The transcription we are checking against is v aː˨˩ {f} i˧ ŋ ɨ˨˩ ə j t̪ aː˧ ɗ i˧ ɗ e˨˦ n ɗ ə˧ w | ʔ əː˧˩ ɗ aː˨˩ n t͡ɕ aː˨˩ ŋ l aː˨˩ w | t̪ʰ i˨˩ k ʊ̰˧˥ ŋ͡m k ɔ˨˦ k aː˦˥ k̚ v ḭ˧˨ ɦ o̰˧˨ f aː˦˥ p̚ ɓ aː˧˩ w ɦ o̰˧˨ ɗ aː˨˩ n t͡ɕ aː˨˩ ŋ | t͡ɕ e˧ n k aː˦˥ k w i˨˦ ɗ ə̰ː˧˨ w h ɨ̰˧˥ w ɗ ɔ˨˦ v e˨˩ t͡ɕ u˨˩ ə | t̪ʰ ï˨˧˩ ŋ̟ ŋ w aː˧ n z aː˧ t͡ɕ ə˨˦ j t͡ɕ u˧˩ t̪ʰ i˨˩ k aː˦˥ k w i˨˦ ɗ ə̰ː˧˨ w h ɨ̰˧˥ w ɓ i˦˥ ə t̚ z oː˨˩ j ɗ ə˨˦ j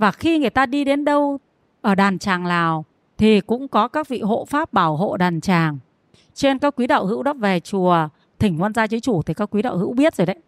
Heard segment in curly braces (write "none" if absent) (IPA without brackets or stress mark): x